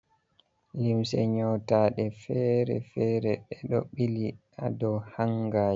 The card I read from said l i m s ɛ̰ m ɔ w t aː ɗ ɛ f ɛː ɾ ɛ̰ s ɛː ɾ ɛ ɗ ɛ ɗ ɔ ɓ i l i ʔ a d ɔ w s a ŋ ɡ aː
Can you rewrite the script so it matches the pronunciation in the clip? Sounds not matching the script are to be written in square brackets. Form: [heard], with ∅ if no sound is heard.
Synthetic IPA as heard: l i m s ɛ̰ [ɲ] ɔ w t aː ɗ ɛ f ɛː ɾ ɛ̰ [f] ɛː ɾ ɛ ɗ ɛ ɗ ɔ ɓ i l i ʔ a d ɔ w [h] a ŋ ɡ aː